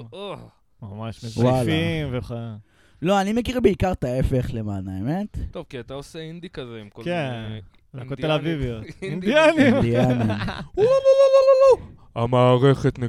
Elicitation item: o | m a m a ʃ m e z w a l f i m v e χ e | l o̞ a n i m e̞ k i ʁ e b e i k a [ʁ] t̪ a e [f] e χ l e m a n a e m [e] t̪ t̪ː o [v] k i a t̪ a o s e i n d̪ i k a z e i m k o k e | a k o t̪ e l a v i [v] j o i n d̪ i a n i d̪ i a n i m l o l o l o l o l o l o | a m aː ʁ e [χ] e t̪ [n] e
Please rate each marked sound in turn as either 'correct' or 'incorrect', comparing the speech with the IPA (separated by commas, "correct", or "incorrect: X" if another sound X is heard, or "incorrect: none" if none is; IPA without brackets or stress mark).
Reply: correct, correct, correct, correct, correct, correct, correct